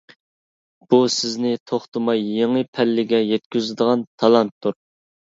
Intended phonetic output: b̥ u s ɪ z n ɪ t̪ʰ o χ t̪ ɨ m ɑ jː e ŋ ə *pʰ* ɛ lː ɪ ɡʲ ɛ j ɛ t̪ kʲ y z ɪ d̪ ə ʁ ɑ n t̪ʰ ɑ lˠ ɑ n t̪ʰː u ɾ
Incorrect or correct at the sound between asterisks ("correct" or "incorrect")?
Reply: correct